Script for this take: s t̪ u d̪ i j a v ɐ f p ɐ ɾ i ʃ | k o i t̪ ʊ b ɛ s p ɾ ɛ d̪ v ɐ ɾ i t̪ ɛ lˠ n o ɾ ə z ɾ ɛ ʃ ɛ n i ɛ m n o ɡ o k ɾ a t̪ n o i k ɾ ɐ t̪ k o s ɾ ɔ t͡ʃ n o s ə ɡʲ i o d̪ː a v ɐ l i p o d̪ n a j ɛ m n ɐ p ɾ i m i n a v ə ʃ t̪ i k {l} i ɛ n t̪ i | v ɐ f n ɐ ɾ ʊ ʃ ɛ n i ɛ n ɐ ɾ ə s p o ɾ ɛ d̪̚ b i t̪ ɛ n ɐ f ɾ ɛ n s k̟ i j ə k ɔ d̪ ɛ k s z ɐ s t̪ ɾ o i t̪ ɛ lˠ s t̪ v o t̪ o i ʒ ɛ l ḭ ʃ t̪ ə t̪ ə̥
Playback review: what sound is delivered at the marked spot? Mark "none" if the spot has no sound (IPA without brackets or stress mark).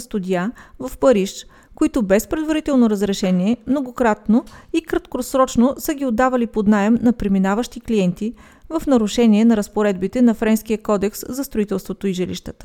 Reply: l